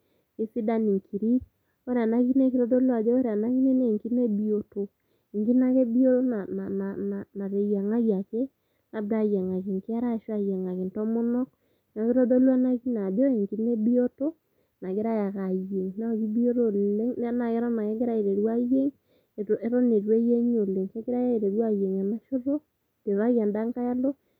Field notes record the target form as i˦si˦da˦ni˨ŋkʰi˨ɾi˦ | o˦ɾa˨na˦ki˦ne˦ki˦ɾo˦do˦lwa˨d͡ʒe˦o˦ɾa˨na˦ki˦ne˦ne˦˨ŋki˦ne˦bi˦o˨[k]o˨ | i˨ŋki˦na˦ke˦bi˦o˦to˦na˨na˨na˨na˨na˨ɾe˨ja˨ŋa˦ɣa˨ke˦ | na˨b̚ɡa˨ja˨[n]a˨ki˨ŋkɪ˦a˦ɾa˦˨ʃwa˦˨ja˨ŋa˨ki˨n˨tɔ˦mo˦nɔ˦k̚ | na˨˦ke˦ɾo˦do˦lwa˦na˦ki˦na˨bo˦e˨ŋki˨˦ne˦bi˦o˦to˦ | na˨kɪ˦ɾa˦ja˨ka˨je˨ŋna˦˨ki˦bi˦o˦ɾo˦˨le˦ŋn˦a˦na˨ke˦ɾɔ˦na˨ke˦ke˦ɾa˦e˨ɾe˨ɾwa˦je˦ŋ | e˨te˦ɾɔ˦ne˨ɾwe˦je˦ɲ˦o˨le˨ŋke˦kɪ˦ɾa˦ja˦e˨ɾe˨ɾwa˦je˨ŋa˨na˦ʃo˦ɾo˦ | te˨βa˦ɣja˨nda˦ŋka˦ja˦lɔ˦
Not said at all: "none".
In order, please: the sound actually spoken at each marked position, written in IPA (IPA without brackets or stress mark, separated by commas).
t, ŋ